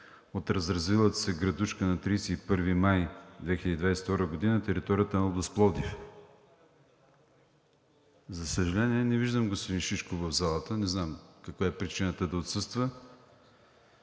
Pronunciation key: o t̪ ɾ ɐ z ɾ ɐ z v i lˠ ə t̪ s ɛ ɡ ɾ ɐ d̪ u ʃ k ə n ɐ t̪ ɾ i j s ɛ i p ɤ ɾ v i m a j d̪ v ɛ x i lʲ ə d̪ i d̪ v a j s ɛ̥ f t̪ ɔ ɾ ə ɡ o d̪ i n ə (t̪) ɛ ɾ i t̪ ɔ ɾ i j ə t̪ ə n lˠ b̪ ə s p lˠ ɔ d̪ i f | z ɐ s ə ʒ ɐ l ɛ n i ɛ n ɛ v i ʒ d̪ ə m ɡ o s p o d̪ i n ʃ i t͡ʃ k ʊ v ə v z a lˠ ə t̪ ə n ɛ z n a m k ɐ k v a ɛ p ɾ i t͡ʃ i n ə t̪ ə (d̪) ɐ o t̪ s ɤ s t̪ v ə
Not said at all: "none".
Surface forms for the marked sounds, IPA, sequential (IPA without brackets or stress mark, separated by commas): t̪, d̪